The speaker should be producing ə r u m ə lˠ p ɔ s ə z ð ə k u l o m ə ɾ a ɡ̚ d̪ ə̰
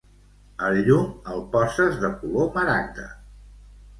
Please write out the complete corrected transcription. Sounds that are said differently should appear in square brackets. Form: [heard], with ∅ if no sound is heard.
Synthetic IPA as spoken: ə [ʎ] u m ə lˠ p ɔ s ə z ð ə k u l o m ə ɾ a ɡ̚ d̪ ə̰